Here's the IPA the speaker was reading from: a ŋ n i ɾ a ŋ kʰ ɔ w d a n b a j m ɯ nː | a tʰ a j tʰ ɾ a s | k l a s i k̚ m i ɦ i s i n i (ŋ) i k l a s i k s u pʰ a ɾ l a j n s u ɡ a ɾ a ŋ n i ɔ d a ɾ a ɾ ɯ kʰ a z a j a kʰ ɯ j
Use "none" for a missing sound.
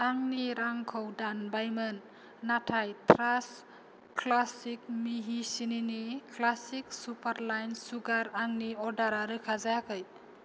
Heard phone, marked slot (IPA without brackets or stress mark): n